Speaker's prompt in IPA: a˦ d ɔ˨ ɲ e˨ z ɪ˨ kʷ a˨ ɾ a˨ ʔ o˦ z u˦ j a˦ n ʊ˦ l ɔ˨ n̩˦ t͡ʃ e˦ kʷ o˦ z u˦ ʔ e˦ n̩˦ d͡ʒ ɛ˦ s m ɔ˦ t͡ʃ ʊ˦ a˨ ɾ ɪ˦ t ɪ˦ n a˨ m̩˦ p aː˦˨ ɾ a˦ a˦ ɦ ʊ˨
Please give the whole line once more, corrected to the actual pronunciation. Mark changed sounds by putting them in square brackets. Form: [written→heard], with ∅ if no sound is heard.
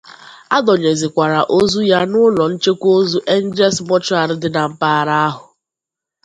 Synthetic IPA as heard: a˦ d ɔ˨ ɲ e˨ z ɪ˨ kʷ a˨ ɾ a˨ ʔ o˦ z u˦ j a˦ n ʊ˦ l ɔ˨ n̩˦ t͡ʃ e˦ kʷ o˦ z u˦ ʔ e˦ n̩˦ d͡ʒ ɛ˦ s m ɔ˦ t͡ʃ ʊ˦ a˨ ɾ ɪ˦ [t→d] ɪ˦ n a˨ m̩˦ p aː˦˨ ɾ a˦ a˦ ɦ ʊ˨